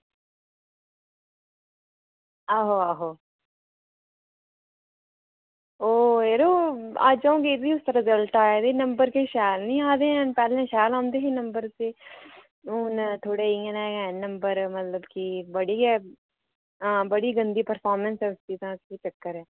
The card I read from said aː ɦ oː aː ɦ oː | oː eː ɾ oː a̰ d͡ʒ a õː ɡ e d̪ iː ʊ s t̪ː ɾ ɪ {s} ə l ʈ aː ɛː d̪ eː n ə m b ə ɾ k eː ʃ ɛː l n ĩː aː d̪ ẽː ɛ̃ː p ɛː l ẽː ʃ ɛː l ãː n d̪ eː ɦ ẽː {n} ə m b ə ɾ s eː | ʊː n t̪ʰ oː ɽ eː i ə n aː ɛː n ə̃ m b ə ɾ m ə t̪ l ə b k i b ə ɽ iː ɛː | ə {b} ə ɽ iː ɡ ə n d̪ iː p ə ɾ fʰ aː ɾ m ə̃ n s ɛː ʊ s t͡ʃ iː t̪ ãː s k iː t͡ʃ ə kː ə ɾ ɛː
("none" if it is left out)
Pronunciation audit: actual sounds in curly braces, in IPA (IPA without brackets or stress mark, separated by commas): z, n, b